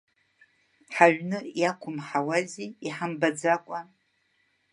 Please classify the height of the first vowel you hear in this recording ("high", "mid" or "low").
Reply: low